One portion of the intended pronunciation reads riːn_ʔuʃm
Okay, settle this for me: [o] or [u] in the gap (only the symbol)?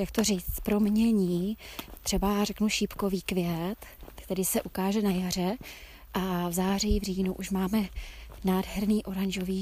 u